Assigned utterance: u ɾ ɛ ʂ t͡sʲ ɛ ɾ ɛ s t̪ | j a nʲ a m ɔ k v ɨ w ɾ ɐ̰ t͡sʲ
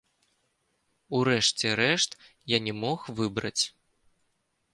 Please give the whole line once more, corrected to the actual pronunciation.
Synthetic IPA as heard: u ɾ ɛ ʂ t͡sʲ ɛ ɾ ɛ ʂ t̪ | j a nʲ ɛ m ɔ x v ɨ b ɾ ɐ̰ t͡sʲ